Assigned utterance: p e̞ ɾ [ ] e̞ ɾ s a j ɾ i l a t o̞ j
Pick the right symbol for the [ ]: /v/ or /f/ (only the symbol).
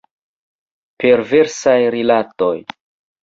v